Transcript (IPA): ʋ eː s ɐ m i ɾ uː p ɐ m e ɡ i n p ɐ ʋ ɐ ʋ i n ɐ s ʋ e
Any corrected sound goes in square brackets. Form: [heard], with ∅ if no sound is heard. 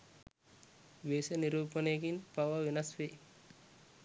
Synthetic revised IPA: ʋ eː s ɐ [n] i ɾ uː p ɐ [n] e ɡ i n p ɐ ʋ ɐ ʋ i n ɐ s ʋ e